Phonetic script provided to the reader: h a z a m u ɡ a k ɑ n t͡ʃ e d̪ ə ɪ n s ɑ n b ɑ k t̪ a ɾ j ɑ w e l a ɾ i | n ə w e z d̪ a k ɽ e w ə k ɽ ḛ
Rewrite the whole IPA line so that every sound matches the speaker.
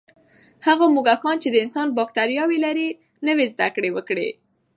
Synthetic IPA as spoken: h a ɣ a m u ɡ a k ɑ n t͡ʃ e d̪ ə ɪ n s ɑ n b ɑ k t̪ a ɾ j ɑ w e l a ɾ i | n ə w e z d̪ a k ɽ e w ə k ɽ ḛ

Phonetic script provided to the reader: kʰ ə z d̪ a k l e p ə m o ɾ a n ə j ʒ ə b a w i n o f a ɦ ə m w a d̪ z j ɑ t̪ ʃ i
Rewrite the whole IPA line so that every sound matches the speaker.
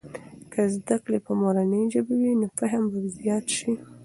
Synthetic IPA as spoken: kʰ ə z d̪ a k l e p ə m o ɾ a n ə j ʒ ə b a w i n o f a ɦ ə m b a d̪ z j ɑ t̪ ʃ i

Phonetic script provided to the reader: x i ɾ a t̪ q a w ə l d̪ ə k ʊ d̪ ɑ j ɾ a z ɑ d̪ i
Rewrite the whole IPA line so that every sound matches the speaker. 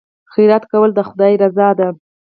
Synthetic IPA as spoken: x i ɾ a t̪ k a w ə l d̪ ə x ʊ d̪ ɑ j ɾ a z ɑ d̪ a

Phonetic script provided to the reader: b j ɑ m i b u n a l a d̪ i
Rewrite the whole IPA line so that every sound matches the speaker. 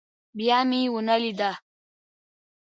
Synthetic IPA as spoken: b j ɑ m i w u n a l i d̪ a

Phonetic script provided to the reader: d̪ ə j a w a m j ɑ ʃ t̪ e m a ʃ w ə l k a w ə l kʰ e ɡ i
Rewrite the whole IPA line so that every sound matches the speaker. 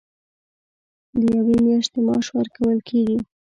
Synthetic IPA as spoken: d̪ ə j a w e m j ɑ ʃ t̪ e m ɑ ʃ w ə ɾ k a w ə l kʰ e ɡ i

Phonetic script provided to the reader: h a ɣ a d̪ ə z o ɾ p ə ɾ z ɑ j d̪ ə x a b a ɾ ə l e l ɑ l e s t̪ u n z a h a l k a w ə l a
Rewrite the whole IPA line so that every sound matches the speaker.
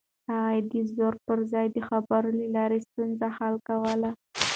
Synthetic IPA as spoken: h a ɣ a d̪ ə z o ɾ p ə ɾ z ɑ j d̪ ə x a b a ɾ ə l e l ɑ ɾ e s t̪ u n z a h a l k a w ə l a

